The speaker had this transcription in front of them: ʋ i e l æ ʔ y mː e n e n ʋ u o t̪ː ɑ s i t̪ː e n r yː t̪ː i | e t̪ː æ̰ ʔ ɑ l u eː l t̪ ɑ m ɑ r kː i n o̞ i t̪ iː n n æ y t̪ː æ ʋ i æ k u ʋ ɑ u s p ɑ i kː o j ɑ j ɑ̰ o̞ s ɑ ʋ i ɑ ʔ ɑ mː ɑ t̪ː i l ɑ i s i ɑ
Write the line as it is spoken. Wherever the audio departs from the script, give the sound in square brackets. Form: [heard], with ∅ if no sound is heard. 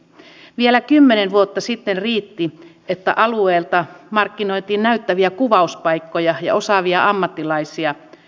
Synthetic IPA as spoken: ʋ i e l æ [k] y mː e n e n ʋ u o t̪ː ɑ s i t̪ː e n r [iː] t̪ː i | e t̪ː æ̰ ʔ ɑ l u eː l t̪ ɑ m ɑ r kː i n o̞ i t̪ iː n n æ y t̪ː æ ʋ i æ k u ʋ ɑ u s p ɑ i kː o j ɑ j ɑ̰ o̞ s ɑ ʋ i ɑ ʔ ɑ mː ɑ t̪ː i l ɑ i s i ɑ

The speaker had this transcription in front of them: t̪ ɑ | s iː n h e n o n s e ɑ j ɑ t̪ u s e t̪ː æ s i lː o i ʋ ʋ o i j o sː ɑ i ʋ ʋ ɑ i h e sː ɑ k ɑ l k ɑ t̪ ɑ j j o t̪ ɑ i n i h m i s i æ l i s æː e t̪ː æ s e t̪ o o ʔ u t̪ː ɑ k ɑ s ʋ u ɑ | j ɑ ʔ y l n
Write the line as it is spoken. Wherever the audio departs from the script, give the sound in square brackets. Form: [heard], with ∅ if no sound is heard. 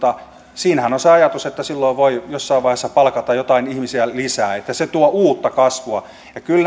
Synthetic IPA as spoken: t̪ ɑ | s iː n h [æ] n o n s e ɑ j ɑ t̪ u s e t̪ː æ s i lː o i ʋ ʋ o i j o sː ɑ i ʋ ʋ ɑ i h e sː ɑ [p] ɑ l k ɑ t̪ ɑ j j o t̪ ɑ i n i h m i s i æ l i s æː e t̪ː æ s e t̪ [u] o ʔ [uː] t̪ː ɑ k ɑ s ʋ u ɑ | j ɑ [k] y l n

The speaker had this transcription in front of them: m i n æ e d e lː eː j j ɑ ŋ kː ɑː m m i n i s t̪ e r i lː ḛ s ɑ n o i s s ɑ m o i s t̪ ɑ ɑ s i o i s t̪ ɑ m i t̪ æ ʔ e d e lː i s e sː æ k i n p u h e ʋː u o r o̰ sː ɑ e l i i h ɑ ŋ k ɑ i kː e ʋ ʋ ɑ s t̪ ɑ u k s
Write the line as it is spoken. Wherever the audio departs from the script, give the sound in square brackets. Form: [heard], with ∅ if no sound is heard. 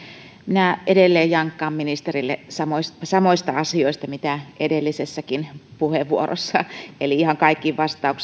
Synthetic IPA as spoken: m i n æ e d e lː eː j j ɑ ŋ kː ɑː m m i n i s t̪ e r i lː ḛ s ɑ [m] o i s s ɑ m o i s t̪ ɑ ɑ s i o i s t̪ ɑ m i t̪ æ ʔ e d e lː i s e sː æ k i n p u h e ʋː u o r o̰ sː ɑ e l i i h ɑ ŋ k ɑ i kː [i] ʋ ʋ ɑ s t̪ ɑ u k s

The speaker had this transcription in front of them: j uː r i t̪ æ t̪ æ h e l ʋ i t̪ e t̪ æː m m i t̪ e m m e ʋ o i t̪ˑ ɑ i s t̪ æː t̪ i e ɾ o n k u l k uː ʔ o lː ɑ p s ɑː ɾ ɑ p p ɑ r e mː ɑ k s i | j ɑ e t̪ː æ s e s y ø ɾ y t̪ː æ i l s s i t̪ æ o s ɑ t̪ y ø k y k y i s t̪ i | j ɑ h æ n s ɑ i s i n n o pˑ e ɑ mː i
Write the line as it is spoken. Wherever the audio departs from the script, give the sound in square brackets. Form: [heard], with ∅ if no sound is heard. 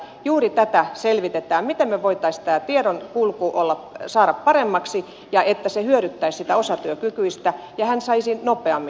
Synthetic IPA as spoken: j uː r i t̪ æ t̪ æ [s] e l ʋ i t̪ e t̪ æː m m i t̪ e m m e ʋ o i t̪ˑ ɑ i s t̪ æː t̪ i e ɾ o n k u l k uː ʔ o lː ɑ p s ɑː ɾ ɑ p p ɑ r e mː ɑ k s i | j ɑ e t̪ː æ s e [h] y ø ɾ y t̪ː æ i [∅] s s i t̪ æ o s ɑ t̪ y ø k y k y i s t̪ [æ] | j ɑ h æ n s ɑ i s i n n o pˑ e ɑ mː i

